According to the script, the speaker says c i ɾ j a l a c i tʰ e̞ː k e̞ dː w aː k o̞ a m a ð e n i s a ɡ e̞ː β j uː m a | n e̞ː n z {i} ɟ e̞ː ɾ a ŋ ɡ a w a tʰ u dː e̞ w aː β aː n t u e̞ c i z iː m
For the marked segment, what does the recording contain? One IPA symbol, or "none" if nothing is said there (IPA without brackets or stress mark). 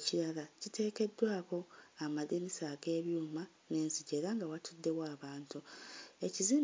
i